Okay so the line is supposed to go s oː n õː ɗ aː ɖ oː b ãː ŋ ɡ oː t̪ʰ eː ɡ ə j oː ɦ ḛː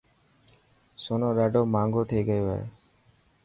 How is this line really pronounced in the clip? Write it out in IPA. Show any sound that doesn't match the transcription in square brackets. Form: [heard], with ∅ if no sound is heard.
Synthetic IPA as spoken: s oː n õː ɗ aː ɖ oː [m] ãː ŋ ɡ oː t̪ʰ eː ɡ ə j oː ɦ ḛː

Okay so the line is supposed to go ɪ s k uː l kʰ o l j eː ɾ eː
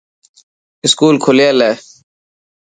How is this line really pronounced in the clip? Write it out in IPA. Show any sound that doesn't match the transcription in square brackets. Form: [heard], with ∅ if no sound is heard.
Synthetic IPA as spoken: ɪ s k uː l kʰ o l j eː [l] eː

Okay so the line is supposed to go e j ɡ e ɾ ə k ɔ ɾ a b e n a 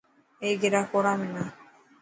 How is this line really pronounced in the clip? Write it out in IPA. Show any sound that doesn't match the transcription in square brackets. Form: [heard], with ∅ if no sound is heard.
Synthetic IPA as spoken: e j ɡ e ɾ [a] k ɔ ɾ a [m] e n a

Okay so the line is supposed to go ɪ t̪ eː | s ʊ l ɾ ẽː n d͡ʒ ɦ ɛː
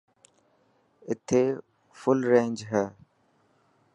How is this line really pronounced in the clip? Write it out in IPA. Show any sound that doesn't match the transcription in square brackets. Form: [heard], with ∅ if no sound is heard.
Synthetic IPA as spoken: ɪ [t̪ʰ] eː | [f] ʊ l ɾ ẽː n d͡ʒ ɦ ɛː

